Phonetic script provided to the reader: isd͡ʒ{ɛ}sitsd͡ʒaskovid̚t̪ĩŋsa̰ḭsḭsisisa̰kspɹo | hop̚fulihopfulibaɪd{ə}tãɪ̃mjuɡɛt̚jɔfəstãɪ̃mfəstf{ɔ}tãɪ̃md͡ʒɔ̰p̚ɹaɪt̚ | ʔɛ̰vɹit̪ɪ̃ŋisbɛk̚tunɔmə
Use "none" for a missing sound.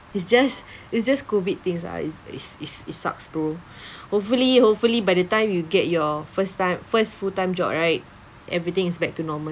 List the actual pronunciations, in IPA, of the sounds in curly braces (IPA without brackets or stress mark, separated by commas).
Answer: a, ə, u